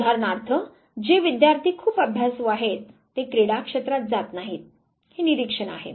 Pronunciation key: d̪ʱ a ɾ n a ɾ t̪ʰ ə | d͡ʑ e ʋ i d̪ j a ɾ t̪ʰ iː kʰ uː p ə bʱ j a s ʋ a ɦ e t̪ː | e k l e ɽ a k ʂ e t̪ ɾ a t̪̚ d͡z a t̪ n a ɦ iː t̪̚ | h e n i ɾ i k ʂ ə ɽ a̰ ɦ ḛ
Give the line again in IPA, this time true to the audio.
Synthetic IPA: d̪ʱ a ɾ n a ɾ t̪ʰ ə | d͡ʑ e ʋ i d̪ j a ɾ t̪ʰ iː kʰ uː p ə bʱ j a s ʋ a ɦ e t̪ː | e k ɾ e ɽ a k ʂ e t̪ ɾ a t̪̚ d͡z a t̪ n a ɦ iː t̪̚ | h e n i ɾ i k ʂ ə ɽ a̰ ɦ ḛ